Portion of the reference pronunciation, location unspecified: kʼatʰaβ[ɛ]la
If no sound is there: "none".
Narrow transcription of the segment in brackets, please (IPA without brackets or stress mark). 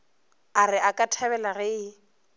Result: ɛ